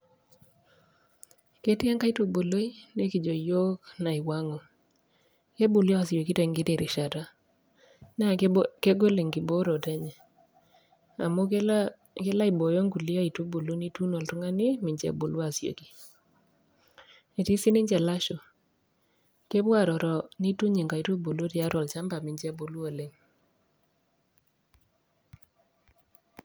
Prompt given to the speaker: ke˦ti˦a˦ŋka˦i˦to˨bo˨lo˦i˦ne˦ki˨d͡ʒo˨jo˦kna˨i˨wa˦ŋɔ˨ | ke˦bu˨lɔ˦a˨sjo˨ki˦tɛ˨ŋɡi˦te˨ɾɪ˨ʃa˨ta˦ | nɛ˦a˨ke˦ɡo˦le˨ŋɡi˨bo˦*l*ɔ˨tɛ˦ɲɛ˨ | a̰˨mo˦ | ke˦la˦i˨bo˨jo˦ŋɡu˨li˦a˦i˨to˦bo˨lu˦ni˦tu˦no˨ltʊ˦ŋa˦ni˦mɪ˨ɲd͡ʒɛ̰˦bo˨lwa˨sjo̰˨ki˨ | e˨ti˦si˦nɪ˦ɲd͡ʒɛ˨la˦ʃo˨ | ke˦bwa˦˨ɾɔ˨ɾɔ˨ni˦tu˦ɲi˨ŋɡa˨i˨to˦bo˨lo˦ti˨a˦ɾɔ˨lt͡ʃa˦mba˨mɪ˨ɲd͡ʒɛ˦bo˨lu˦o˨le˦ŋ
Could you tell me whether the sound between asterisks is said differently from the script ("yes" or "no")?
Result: yes